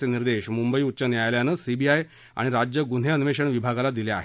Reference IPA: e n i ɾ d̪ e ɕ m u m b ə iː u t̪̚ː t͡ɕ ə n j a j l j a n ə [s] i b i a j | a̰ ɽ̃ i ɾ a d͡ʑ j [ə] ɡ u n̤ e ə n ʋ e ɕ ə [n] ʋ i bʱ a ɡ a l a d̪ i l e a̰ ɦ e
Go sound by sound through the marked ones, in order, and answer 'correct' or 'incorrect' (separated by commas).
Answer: correct, correct, incorrect